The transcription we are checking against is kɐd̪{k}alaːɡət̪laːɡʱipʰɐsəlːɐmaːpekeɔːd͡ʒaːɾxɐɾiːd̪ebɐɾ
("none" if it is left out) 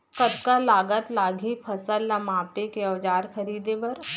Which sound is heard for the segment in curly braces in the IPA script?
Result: k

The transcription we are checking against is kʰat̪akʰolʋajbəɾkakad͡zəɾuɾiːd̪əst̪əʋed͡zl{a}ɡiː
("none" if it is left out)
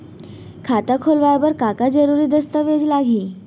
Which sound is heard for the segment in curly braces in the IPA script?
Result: a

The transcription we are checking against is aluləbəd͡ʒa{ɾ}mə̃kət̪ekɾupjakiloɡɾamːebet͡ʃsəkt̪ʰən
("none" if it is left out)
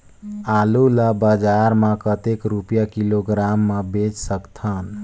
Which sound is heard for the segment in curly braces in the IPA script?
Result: ɾ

